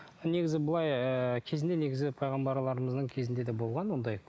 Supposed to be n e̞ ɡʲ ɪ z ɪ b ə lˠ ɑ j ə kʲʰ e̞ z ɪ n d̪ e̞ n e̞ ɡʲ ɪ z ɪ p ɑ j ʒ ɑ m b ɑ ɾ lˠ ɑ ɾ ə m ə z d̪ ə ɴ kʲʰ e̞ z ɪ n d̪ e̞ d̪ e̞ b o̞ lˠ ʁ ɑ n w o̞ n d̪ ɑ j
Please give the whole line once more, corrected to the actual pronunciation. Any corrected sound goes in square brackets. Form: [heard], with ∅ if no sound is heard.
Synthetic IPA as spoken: n e̞ ɡʲ ɪ z ɪ b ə lˠ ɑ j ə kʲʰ e̞ z ɪ n d̪ e̞ n e̞ ɡʲ ɪ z ɪ [pʰ] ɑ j [ʁ] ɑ m b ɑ ɾ lˠ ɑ ɾ ə m ə z d̪ ə ɴ kʲʰ e̞ z ɪ n d̪ e̞ d̪ e̞ b o̞ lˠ ʁ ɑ n w o̞ n d̪ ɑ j